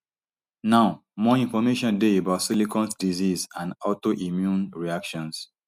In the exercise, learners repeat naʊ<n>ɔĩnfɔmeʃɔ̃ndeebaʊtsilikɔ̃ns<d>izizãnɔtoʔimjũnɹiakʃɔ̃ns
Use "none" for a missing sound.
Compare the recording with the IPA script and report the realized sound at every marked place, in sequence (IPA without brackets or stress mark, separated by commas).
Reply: m, d